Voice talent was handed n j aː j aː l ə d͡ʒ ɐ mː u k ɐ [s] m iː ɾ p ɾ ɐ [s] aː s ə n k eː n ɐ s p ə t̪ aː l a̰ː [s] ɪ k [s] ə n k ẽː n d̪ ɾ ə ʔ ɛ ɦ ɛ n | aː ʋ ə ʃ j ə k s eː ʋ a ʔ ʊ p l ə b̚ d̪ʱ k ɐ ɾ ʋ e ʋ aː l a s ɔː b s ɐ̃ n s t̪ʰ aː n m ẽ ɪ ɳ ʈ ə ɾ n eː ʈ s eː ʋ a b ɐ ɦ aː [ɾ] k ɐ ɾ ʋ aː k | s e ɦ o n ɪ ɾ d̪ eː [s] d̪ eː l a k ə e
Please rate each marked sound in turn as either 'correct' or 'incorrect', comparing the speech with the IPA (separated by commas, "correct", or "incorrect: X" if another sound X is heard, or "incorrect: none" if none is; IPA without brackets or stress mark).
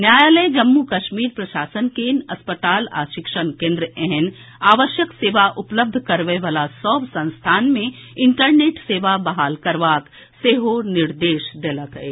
incorrect: ʃ, incorrect: ʃ, incorrect: ʃ, incorrect: ʃ, incorrect: l, incorrect: ʃ